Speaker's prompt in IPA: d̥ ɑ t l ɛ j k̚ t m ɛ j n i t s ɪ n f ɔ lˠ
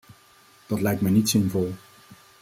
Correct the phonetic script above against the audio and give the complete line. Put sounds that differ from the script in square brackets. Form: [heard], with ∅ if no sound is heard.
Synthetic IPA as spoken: d̥ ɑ t l ɛ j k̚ t m ɛ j n i t s ɪ n [v] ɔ lˠ